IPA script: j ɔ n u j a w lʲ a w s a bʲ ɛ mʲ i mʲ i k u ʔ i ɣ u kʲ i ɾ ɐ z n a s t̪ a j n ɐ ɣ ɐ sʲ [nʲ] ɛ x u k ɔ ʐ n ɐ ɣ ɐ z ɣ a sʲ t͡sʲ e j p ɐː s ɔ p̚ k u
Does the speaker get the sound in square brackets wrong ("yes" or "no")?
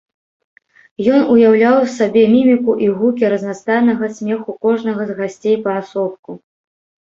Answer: yes